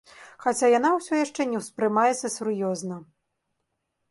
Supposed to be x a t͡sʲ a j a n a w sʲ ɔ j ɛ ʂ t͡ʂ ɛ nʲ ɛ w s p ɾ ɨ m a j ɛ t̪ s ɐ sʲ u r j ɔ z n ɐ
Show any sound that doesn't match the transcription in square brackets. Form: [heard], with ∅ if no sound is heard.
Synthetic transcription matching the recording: x a t͡sʲ a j a n a w sʲ ɔ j [a] ʂ t͡ʂ ɛ nʲ ɛ w s p ɾ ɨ m a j ɛ t̪ s ɐ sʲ u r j ɔ z n ɐ